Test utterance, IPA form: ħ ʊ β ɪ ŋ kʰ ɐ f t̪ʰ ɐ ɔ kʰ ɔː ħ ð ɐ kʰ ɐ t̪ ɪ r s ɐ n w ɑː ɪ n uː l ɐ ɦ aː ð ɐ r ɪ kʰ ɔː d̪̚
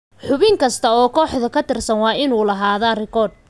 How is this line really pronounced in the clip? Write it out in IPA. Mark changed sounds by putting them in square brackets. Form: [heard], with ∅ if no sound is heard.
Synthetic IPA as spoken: ħ ʊ β ɪ ŋ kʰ ɐ [s] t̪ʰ ɐ [ɔː] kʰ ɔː ħ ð ɐ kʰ ɐ t̪ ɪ r s ɐ n w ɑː ɪ n uː l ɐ ɦ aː ð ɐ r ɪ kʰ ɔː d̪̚